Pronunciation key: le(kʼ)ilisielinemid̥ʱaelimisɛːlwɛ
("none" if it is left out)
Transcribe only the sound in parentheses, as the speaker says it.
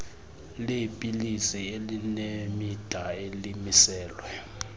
pʼ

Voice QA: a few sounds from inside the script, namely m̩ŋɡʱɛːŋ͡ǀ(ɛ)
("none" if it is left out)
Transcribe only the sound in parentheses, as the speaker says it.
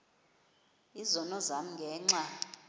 a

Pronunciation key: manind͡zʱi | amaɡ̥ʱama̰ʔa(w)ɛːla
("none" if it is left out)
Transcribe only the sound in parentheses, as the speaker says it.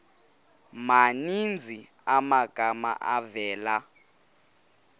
v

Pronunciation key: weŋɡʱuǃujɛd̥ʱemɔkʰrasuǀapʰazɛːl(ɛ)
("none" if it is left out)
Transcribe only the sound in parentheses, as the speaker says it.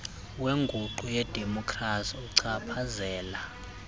a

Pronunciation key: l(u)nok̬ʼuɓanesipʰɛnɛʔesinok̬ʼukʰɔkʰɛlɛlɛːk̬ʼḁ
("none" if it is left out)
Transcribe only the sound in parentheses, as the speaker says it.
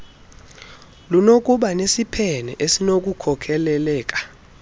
u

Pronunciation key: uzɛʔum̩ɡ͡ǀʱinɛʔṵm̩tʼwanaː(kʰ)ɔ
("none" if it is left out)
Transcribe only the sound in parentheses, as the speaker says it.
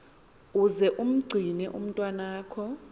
kʰ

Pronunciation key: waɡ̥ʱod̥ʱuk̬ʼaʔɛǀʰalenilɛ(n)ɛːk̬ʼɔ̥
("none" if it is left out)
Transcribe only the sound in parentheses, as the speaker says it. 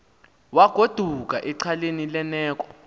n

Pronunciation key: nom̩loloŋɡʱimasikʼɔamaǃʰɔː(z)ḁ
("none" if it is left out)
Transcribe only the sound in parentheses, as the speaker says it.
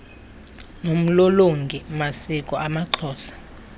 s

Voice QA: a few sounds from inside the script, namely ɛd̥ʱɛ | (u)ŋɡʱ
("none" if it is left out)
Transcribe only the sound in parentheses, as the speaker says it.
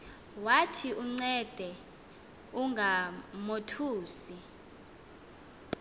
u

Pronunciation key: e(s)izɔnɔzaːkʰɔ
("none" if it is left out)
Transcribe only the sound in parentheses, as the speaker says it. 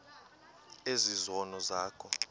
z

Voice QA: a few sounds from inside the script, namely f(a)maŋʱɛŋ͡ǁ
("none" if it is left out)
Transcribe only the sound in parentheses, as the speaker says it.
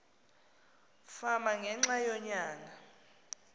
a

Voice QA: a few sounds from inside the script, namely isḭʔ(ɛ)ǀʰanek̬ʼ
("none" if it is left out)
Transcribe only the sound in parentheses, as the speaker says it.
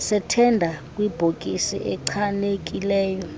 ɛ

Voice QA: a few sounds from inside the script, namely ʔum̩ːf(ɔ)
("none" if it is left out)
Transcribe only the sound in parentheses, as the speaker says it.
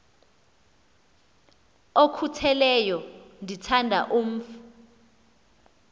u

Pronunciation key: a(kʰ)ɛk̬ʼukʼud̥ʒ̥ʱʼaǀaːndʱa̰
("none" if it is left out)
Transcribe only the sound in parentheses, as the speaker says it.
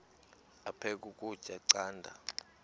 pʰ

